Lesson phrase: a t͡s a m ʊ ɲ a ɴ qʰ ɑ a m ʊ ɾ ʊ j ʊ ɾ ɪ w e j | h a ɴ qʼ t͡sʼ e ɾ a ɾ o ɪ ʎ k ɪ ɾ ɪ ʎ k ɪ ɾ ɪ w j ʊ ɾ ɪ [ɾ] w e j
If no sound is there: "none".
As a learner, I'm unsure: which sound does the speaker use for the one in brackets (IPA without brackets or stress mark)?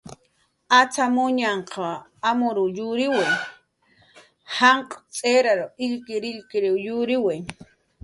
none